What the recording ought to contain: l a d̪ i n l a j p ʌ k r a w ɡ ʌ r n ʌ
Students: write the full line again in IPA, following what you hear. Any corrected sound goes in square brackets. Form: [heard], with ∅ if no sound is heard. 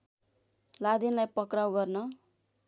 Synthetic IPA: l a d̪ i n l a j p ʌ k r a w ɡ ʌ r n ʌ